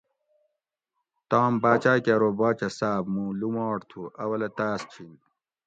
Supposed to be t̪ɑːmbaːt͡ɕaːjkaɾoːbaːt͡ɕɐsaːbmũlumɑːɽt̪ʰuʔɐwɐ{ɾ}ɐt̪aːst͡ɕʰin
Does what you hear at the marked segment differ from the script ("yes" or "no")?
yes